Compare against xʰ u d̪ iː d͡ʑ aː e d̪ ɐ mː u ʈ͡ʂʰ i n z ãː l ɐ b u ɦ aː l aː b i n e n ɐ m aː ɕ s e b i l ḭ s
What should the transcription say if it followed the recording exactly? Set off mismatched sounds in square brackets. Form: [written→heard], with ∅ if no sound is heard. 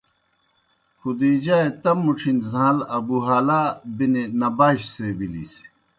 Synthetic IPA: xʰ u d̪ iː d͡ʑ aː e [d̪→t̪] ɐ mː u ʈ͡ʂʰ i n z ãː l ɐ b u ɦ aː l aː b i n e n ɐ [m→b] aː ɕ s e b i l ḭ s